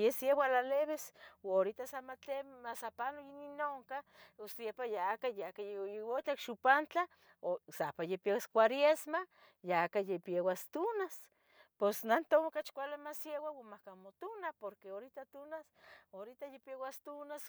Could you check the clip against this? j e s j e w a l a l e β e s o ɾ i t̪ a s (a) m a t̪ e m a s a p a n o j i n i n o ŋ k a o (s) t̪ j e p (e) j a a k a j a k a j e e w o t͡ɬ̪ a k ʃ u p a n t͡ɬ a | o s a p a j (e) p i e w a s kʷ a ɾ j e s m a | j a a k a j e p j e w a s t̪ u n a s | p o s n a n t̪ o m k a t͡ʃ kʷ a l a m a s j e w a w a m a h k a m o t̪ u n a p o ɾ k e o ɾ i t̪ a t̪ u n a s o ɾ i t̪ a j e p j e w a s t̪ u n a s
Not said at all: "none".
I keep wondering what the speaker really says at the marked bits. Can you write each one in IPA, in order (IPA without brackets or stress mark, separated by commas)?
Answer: a, s, a, e